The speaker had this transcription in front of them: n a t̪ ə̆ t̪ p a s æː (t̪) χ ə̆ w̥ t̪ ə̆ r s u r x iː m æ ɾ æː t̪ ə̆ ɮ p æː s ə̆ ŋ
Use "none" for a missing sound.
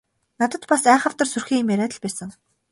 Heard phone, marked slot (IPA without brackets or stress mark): none